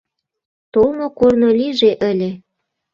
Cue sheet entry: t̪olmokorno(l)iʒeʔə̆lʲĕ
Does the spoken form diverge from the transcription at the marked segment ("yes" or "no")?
no